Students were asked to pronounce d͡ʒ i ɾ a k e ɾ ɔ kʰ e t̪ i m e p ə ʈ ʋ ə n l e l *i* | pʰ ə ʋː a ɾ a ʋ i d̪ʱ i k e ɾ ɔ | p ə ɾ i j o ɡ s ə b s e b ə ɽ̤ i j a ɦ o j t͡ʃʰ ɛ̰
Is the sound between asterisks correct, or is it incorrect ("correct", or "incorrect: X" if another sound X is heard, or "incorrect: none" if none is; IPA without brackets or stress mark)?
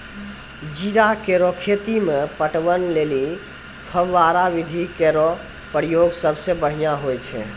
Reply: correct